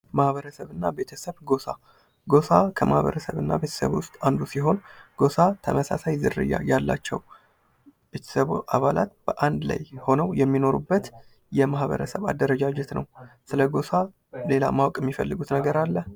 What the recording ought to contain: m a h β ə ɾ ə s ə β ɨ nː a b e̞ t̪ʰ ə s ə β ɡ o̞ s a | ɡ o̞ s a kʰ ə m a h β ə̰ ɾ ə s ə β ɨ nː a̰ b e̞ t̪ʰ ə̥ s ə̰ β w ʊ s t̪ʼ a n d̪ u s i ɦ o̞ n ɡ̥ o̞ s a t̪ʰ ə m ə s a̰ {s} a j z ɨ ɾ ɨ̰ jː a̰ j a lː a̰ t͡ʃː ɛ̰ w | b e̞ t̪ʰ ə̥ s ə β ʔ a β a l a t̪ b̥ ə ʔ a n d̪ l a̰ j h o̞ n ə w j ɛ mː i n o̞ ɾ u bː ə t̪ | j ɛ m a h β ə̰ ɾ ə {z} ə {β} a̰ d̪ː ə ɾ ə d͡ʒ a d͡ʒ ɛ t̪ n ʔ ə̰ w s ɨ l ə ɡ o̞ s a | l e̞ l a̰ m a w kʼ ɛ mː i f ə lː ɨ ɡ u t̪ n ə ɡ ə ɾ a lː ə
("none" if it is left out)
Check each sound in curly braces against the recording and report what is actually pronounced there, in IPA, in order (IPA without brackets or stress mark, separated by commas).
s, s, β